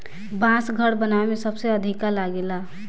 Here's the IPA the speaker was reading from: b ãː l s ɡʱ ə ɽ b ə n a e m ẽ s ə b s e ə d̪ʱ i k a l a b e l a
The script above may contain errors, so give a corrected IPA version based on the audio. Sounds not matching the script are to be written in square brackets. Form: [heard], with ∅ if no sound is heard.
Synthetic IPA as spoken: b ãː [∅] s ɡʱ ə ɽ b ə n a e m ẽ s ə b s e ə d̪ʱ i k a l a [ɡ] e l a